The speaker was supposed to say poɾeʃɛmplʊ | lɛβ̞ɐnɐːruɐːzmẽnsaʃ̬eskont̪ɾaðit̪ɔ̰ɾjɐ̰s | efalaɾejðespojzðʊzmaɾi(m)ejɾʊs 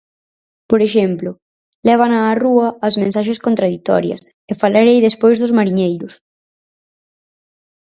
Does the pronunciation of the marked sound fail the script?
yes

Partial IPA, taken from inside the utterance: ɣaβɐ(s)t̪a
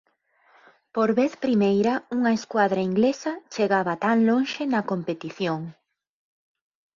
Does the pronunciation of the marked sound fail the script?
yes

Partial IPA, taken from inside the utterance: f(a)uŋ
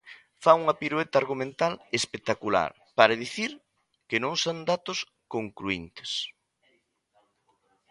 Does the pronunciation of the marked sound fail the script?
no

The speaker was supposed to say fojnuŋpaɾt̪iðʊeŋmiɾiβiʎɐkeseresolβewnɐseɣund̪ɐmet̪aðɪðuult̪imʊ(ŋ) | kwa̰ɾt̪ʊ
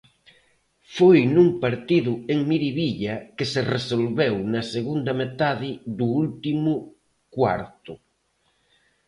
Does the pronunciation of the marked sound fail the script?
yes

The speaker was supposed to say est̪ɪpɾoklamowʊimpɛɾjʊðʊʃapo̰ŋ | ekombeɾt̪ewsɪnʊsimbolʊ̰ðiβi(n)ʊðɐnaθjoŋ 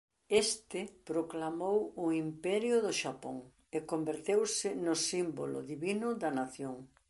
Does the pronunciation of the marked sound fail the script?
no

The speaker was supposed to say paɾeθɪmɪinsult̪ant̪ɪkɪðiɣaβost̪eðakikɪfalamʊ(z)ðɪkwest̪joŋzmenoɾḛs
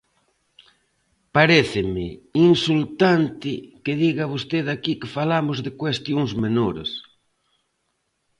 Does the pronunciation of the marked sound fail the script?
no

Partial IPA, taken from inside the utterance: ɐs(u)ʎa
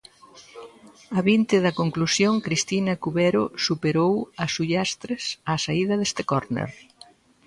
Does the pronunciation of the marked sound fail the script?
no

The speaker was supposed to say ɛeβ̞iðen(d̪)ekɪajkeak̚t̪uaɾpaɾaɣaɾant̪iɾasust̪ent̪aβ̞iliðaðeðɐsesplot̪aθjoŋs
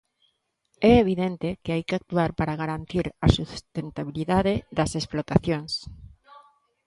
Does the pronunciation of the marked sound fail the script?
yes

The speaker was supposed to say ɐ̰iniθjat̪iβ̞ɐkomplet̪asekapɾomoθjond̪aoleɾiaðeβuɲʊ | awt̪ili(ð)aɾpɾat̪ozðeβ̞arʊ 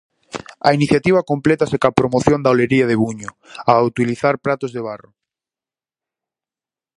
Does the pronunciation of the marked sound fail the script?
yes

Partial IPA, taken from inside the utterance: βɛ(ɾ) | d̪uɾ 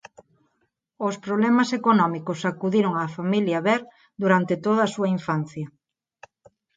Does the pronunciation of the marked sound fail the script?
no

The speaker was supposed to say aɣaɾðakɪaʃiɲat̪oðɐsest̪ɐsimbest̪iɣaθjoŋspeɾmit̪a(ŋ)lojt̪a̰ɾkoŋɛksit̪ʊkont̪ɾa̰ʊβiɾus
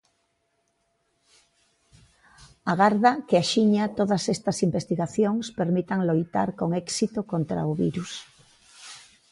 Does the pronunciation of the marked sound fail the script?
no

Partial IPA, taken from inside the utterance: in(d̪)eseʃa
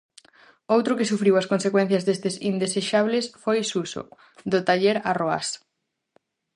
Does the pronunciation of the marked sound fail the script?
no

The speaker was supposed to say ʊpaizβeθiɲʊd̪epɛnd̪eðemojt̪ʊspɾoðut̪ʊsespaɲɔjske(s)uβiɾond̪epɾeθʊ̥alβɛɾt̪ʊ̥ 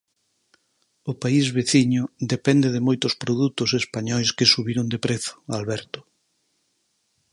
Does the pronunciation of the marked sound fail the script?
no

